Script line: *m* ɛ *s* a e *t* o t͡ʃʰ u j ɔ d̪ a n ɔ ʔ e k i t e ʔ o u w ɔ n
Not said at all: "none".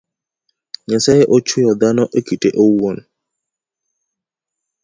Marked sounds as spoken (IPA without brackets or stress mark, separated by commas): ɲ, s, ʔ